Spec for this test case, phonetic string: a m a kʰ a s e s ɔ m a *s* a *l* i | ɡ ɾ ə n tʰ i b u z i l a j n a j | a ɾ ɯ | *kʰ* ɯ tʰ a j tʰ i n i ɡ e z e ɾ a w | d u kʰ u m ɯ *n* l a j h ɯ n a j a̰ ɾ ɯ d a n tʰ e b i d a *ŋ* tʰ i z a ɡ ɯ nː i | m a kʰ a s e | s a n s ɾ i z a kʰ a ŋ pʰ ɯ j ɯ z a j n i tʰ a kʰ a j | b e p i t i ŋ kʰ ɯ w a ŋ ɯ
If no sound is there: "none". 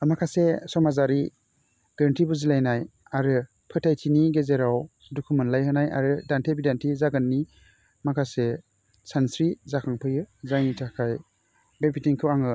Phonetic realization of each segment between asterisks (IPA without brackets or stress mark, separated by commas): z, ɾ, pʰ, n, n